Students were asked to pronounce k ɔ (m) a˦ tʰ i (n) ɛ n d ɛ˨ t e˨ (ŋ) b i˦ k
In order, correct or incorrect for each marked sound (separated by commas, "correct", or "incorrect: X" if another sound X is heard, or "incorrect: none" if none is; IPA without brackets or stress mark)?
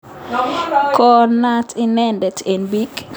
incorrect: n, correct, incorrect: n